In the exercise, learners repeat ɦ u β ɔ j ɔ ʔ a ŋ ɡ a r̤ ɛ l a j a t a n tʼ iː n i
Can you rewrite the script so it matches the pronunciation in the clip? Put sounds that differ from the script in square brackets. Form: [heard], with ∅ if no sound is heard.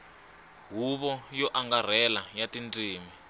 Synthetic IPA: ɦ u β ɔ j ɔ ʔ a ŋ ɡ a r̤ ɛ l a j a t [i] n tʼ iː [m] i